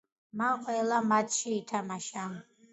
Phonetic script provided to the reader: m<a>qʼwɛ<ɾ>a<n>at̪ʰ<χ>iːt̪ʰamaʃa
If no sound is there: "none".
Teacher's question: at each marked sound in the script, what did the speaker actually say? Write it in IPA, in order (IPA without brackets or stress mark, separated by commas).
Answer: a, l, m, ʃ